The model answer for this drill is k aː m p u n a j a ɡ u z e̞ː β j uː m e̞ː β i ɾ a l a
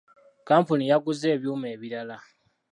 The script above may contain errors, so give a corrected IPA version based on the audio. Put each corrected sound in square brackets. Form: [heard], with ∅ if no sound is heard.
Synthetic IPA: k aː m p u n [i] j a ɡ u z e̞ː β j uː m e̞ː β i ɾ a l a

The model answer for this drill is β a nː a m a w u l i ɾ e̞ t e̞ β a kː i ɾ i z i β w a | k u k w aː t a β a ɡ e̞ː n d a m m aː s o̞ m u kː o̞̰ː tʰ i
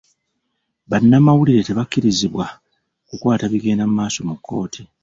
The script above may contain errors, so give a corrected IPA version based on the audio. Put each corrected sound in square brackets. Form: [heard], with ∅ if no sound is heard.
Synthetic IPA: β a nː a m a w u l i ɾ e̞ t e̞ β a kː i ɾ i z i β w a | k u k w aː t a β [i] ɡ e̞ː n d a m m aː s o̞ m u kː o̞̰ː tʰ i

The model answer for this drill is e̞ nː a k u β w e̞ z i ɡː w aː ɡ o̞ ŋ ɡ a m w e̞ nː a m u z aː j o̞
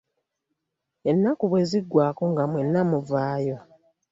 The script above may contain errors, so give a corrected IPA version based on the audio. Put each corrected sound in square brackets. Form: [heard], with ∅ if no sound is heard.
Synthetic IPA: e̞ nː a k u β w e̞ z i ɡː w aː [k] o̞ ŋ ɡ a m w e̞ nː a m u [v] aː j o̞

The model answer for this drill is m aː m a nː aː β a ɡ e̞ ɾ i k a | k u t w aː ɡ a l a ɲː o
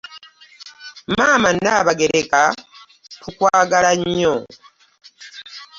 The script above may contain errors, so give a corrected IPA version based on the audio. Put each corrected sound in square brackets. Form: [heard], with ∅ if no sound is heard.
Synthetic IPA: m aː m a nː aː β a ɡ e̞ ɾ [e] k a | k u [k] w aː ɡ a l a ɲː o

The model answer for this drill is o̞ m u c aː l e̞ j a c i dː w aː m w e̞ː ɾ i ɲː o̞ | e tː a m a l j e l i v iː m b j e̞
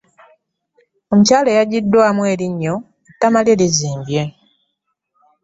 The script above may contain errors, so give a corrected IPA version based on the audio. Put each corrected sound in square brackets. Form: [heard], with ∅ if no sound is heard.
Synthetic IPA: o̞ m u c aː l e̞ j a [ɟ] i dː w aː m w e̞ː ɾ i ɲː o̞ | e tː a m a l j e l i [z] iː m b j e̞

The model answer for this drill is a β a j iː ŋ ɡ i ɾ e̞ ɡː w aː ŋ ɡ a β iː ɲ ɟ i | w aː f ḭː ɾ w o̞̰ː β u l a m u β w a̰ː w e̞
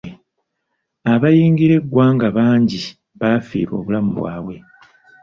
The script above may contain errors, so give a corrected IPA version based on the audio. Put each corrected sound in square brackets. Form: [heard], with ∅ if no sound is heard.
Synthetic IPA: a β a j iː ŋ ɡ i ɾ e̞ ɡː w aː ŋ ɡ a β [aː] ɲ ɟ i | [β] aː f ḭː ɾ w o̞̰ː β u l a m u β w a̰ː w e̞

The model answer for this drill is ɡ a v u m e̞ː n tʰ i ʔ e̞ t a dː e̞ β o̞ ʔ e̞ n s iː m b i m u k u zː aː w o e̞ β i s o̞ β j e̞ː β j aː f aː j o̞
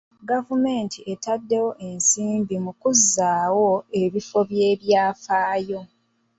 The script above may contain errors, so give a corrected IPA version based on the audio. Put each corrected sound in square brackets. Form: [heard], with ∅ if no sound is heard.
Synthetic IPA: ɡ a v u m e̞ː n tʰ i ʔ e̞ t a dː e̞ [w] o̞ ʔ e̞ n s iː m b i m u k u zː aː w o e̞ β i [f] o̞ β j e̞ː β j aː f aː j o̞

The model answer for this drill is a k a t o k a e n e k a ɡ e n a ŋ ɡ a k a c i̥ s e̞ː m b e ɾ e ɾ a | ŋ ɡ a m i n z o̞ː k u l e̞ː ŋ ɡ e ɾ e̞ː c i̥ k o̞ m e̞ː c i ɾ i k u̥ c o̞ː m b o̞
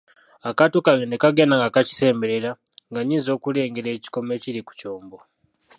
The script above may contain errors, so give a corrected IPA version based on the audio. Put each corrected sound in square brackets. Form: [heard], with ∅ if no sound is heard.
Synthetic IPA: a k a t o k a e n e k a ɡ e n a ŋ ɡ a k a c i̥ s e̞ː m b e ɾ e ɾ a | ŋ ɡ a [ɲ] i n z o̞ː k u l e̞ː ŋ ɡ e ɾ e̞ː c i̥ k o̞ m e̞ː c i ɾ i k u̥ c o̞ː m b o̞

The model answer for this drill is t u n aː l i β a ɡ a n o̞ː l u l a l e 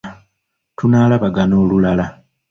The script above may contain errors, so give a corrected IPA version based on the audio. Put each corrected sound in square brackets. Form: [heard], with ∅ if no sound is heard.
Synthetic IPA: t u n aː l [a] β a ɡ a n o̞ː l u l a l [a]

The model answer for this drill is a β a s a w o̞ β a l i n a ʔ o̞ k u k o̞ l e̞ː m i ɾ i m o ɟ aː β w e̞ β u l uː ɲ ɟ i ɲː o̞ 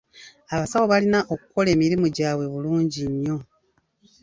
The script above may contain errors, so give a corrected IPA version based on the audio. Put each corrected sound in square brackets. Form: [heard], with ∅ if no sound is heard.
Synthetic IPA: a β a s a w o̞ β a l i n a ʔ o̞ k u k o̞ l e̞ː m i ɾ i m [u] ɟ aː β w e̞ β u l uː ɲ ɟ i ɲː o̞

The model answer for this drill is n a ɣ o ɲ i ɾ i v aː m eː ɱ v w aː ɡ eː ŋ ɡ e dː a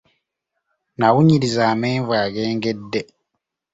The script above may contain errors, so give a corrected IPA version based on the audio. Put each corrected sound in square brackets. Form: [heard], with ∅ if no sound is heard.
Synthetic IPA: n a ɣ [u] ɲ i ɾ i [z] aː m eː ɱ v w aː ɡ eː ŋ ɡ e dː [e]

